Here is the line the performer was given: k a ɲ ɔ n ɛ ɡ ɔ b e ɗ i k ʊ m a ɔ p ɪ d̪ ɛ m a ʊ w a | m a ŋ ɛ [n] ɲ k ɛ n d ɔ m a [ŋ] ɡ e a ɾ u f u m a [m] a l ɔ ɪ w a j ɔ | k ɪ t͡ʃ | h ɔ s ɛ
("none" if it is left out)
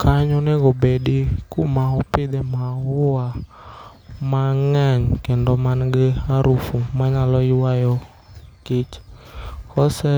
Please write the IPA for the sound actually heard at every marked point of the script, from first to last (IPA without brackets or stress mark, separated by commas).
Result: none, n, ɲ